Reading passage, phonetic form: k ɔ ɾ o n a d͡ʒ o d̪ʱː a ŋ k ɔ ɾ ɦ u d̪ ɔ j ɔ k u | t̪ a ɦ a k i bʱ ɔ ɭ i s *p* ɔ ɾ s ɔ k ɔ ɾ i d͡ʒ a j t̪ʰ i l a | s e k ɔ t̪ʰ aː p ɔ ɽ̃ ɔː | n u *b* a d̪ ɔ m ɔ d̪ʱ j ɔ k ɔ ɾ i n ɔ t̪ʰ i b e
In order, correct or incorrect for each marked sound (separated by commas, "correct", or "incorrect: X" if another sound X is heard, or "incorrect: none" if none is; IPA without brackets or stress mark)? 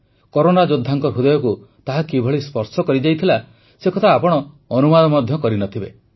correct, incorrect: m